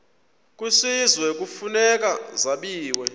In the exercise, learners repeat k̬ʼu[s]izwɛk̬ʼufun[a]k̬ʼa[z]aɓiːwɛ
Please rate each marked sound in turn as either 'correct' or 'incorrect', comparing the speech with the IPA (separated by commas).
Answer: correct, incorrect, correct